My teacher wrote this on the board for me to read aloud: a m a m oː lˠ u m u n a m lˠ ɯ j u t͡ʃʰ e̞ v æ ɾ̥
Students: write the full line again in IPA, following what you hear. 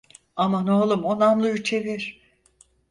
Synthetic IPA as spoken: a m a n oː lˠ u m o n a m lˠ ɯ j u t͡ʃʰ e̞ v i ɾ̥